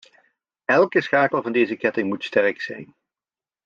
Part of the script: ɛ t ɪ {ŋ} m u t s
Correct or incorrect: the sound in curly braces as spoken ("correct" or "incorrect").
correct